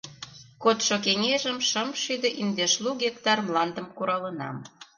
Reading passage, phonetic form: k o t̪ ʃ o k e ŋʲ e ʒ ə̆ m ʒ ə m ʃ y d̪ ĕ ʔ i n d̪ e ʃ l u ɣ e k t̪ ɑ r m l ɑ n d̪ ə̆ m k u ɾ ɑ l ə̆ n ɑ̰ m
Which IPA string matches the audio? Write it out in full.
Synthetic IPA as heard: k o t̪ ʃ o k e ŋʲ e ʒ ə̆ m ʃ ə m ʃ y d̪ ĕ ʔ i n d̪ e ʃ l u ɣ e k t̪ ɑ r m l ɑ n d̪ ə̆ m k u ɾ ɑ l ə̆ n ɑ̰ m